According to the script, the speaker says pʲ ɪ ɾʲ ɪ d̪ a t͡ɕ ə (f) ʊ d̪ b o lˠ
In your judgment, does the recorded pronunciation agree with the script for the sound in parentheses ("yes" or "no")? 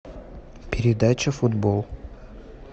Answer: yes